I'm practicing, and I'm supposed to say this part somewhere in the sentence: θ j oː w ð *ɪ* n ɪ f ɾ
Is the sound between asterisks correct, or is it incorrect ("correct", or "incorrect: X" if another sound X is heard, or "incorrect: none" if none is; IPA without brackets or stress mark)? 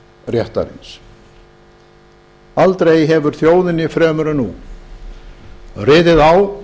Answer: correct